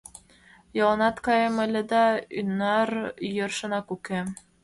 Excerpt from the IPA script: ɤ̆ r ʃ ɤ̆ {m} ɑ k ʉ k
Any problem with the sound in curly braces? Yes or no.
yes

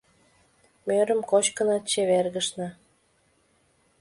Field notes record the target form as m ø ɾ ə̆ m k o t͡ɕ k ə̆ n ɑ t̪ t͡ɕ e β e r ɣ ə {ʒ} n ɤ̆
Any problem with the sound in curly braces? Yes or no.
yes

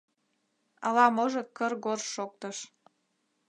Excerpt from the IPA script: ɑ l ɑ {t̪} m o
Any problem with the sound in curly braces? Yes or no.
yes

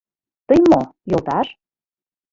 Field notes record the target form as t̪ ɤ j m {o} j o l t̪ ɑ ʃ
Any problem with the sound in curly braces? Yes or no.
no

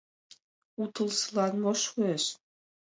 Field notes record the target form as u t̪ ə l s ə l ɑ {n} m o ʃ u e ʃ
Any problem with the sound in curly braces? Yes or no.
no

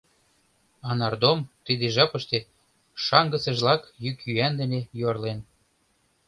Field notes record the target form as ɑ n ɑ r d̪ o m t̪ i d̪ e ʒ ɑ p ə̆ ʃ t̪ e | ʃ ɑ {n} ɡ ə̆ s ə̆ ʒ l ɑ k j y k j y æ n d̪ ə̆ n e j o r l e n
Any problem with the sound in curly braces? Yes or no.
yes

